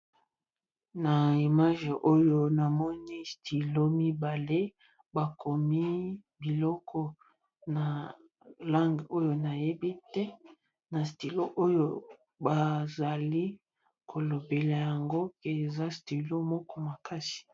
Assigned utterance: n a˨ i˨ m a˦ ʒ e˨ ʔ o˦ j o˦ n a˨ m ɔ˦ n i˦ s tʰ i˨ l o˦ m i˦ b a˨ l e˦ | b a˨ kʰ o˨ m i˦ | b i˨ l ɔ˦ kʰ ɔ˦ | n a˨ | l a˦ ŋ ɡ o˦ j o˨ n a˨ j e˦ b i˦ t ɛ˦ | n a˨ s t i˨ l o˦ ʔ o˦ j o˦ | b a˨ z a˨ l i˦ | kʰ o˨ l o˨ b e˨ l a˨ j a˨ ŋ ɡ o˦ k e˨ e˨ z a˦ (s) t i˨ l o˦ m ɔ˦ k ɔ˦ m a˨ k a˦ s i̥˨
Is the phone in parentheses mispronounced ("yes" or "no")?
no